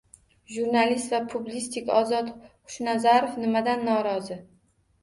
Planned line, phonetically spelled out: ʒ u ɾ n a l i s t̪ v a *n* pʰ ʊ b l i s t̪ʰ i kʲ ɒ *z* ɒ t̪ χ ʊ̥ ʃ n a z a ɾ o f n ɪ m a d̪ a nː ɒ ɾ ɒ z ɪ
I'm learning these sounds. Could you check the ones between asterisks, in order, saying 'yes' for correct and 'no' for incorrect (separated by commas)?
no, yes